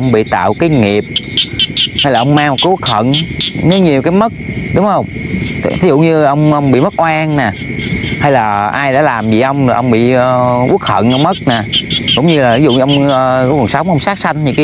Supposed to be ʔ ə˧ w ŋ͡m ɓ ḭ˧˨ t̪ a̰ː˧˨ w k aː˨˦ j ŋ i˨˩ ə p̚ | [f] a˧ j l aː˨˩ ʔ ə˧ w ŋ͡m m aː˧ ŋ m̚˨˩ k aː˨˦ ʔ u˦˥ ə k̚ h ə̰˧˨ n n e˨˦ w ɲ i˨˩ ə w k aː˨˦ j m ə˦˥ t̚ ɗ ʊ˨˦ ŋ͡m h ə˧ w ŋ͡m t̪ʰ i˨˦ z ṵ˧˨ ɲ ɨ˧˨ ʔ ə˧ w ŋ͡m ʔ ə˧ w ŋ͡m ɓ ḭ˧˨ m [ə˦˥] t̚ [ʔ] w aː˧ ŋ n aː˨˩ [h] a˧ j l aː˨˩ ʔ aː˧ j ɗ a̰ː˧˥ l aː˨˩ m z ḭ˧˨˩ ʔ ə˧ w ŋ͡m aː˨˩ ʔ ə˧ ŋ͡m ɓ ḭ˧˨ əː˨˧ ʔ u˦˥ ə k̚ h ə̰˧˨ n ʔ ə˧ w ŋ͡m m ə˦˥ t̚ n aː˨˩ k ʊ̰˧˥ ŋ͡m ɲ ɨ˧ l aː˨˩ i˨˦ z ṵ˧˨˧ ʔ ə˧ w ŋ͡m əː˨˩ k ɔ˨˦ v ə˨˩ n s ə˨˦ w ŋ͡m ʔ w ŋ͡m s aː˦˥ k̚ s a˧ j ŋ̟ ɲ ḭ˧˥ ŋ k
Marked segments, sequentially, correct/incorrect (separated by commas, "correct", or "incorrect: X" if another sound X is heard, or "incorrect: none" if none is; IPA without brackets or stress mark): incorrect: h, correct, correct, correct